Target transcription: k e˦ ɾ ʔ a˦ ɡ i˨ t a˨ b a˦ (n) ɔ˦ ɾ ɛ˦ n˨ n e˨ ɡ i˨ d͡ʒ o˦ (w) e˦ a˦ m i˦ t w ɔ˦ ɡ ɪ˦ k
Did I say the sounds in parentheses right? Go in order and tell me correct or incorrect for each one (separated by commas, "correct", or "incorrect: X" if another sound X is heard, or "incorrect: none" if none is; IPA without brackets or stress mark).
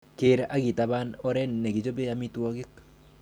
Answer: correct, incorrect: b